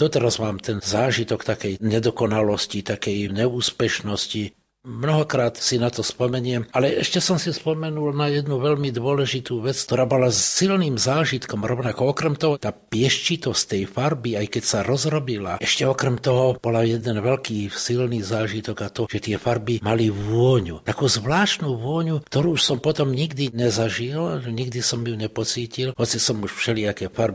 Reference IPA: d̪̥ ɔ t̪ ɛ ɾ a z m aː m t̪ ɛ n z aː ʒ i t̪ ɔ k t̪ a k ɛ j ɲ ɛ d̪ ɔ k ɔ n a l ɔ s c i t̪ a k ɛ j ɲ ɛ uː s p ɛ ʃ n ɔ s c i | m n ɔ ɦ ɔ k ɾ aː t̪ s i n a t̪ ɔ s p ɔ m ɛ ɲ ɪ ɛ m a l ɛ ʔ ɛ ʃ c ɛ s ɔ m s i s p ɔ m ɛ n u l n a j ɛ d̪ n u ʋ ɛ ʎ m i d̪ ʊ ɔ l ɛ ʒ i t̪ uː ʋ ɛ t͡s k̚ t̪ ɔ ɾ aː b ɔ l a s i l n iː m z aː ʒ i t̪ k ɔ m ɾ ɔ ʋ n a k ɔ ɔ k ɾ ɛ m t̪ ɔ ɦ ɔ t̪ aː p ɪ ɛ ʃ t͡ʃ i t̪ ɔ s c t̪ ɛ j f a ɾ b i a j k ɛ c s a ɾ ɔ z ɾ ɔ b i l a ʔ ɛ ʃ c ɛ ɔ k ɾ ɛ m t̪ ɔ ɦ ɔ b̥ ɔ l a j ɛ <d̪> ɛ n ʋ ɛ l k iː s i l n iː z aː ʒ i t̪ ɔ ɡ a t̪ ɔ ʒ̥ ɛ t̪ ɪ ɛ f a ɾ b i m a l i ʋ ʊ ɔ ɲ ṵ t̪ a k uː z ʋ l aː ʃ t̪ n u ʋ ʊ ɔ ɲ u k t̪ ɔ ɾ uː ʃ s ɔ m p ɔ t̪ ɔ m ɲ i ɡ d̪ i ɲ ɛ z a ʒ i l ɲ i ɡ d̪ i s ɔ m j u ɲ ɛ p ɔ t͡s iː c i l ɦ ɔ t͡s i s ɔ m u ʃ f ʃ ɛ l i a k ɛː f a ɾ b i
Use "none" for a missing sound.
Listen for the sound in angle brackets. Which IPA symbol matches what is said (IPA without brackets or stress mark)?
d̪